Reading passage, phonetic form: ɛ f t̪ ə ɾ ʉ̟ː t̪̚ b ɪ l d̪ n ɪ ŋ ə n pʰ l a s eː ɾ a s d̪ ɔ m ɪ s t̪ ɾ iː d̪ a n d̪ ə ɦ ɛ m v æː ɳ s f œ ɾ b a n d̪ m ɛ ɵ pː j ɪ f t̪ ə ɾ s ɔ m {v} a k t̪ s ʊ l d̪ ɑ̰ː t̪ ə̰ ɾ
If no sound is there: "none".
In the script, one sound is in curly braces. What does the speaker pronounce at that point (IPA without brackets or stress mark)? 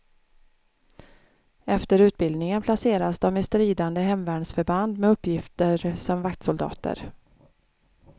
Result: v